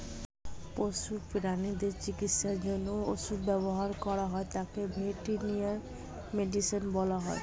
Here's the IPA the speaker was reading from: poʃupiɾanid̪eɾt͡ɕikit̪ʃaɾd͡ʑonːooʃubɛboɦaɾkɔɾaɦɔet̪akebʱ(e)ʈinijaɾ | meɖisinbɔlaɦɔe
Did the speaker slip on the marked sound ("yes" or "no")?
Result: no